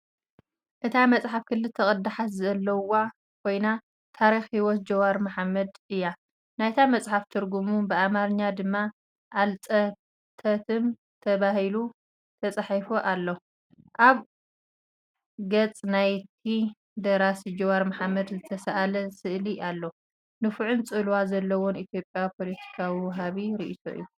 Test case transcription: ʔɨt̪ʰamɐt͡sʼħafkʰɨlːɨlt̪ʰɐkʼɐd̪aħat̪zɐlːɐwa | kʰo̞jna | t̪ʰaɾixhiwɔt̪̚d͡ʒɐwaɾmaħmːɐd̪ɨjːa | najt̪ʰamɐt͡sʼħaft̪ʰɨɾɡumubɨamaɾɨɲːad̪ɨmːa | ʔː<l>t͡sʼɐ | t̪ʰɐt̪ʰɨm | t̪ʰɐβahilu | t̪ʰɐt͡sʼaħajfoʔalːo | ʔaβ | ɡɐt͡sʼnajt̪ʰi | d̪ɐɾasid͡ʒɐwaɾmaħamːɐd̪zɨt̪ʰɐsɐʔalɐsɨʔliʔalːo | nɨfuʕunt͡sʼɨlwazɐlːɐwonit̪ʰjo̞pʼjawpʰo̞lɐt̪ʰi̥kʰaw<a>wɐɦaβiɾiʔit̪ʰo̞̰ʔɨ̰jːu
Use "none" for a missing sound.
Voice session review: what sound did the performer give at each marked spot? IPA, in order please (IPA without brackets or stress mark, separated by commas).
l, i